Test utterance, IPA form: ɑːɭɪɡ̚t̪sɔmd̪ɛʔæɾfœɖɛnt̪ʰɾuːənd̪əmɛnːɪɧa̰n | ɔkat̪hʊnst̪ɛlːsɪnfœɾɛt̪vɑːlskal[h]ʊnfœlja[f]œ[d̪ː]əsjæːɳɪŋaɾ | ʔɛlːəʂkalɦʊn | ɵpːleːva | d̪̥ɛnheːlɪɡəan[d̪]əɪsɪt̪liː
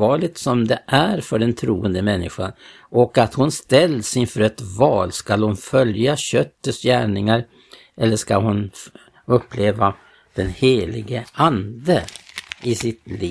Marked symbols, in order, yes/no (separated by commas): yes, no, no, yes